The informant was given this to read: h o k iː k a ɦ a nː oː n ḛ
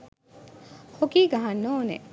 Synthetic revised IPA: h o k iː ɡ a ɦ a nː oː n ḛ